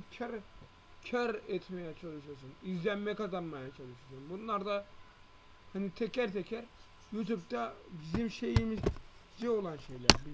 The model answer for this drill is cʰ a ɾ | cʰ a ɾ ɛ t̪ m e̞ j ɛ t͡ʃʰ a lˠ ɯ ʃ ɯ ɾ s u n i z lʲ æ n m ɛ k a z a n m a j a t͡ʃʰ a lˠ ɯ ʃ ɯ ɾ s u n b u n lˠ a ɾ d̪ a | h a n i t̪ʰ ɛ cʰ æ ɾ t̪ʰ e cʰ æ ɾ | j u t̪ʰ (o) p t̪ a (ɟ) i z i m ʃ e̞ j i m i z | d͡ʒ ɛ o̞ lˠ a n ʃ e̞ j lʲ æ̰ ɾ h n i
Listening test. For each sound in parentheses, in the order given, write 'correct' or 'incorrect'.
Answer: incorrect, incorrect

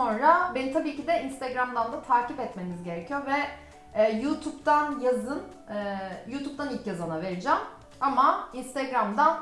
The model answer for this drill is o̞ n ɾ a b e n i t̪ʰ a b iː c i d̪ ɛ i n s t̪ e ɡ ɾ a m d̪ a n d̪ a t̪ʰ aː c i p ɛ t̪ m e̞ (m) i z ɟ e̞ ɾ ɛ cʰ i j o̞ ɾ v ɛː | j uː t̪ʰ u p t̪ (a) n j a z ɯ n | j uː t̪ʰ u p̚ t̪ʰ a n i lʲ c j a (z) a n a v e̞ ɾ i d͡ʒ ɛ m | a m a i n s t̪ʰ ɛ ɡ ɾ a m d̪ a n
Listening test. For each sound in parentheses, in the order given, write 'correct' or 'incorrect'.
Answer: incorrect, correct, correct

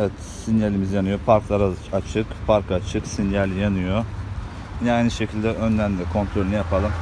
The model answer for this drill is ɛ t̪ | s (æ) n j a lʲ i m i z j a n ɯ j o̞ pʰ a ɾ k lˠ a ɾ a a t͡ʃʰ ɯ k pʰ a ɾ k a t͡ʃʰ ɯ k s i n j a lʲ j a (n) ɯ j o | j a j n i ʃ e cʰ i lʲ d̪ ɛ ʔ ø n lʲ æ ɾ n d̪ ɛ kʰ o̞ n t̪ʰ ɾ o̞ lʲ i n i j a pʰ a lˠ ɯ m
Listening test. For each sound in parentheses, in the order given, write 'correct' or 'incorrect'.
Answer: incorrect, correct

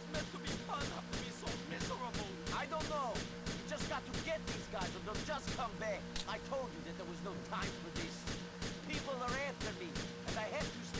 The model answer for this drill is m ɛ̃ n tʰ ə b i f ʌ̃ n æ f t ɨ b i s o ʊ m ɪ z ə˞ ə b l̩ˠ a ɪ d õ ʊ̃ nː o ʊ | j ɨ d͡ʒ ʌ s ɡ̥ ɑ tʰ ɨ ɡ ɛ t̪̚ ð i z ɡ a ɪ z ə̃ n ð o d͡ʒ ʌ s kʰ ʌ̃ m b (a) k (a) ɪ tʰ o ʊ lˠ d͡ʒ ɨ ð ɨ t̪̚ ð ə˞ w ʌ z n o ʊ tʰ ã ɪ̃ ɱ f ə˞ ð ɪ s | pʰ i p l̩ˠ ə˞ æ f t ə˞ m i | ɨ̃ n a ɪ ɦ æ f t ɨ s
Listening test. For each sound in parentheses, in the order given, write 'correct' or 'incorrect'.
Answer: incorrect, correct

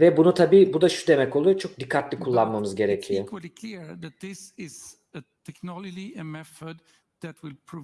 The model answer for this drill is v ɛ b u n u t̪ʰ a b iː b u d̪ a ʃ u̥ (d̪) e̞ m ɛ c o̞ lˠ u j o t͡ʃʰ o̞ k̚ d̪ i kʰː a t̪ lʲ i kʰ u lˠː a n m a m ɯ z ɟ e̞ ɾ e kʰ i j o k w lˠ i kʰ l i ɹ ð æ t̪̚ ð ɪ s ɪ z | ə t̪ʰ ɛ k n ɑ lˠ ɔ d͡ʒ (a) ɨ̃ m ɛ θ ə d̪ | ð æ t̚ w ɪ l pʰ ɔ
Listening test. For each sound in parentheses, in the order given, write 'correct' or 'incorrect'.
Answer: correct, incorrect

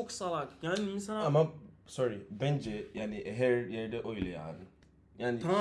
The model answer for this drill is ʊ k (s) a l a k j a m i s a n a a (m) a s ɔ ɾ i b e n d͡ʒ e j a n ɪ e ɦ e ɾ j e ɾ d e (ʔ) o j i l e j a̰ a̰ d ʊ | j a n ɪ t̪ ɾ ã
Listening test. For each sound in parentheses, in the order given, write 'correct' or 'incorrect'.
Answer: correct, correct, correct

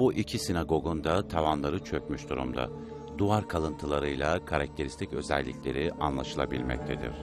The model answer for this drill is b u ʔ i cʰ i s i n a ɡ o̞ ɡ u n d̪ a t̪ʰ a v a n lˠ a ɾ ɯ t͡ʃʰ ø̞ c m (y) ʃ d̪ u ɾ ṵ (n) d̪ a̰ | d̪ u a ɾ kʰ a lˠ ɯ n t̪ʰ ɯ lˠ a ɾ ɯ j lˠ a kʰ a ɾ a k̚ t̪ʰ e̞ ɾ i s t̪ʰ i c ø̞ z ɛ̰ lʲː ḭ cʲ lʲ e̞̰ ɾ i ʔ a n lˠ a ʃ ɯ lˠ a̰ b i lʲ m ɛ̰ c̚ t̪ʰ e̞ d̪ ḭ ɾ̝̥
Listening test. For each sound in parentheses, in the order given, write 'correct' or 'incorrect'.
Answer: correct, incorrect

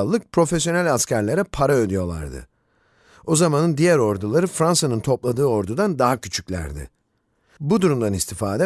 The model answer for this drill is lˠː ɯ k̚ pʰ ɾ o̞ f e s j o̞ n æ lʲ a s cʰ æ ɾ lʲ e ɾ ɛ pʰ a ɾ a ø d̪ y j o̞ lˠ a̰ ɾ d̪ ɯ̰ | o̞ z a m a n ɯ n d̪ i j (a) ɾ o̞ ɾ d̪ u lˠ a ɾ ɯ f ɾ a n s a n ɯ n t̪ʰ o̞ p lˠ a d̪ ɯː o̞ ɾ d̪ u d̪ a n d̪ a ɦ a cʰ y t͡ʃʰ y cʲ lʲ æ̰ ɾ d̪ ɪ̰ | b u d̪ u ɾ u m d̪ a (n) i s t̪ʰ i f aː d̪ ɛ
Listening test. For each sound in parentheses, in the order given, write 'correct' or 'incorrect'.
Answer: incorrect, correct

